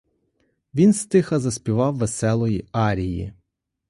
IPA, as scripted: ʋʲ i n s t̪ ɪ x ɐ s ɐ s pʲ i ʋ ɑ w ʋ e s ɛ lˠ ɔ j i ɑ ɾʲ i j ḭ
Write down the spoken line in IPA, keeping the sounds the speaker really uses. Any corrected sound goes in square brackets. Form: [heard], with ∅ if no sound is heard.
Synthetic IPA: ʋʲ i n s t̪ ɪ x ɐ [z] ɐ s pʲ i ʋ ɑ w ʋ e s ɛ lˠ ɔ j i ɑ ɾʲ i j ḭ